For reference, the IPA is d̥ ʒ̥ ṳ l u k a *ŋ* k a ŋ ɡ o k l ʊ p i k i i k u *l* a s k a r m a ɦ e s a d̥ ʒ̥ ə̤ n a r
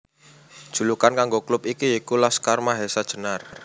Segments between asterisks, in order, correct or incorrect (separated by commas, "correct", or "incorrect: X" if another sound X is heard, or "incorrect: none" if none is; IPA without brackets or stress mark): incorrect: n, correct